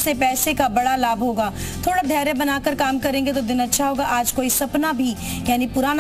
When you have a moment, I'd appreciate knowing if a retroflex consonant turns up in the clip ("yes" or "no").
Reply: yes